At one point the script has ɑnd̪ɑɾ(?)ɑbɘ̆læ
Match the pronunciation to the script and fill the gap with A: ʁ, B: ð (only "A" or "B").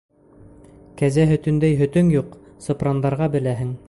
A